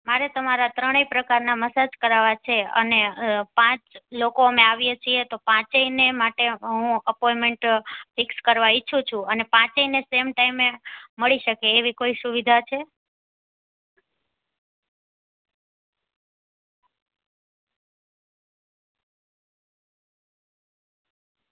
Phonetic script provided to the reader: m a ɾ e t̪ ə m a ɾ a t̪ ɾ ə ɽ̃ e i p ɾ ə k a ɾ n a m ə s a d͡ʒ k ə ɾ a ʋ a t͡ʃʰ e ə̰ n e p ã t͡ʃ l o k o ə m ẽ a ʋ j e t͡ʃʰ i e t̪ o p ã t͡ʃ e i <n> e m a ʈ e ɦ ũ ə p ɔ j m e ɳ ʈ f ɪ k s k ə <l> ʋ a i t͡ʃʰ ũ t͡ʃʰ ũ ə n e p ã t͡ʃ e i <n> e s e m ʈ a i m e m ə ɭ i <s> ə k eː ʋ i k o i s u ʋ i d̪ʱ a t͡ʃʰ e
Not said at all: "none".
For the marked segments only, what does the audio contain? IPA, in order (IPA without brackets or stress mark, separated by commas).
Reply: n, ɾ, n, ʃ